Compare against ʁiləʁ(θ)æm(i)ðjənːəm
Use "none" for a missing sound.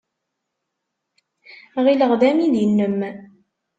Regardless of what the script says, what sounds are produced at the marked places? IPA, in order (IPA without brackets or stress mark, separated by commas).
ð, i